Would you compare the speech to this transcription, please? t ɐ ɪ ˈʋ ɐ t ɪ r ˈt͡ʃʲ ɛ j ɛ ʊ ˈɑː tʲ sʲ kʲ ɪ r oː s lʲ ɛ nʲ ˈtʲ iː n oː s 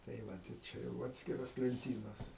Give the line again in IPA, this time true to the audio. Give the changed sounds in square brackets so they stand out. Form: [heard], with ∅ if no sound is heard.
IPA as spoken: t ɐ ɪ ˈʋ ɐ t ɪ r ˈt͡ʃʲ ɛ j ɛ ʊ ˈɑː tʲ sʲ kʲ ɪ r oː s lʲ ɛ nʲ ˈtʲ iː n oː s